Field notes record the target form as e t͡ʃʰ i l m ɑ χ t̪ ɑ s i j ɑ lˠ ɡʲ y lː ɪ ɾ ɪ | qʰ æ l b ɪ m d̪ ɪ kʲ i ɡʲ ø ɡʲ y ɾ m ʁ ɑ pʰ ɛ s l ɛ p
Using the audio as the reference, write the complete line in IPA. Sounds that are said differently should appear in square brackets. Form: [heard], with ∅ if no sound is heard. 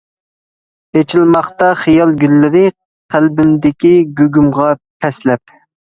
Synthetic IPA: e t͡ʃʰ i l m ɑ χ t̪ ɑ [χ] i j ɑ lˠ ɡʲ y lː ɪ ɾ ɪ | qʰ æ l b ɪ m d̪ ɪ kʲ i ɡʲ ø ɡʲ y [∅] m ʁ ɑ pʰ ɛ s l ɛ p